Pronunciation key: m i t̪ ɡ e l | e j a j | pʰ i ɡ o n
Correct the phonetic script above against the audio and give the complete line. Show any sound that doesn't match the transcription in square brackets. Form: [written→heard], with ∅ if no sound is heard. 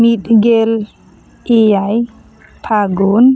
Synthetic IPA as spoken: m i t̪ ɡ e l | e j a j | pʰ [i→a] ɡ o n